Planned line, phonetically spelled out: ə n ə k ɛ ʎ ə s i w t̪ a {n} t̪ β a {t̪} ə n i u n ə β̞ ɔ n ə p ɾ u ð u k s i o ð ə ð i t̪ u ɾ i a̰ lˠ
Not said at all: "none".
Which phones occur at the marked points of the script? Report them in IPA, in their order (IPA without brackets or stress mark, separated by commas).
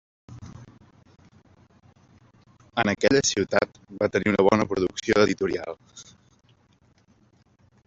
none, t̪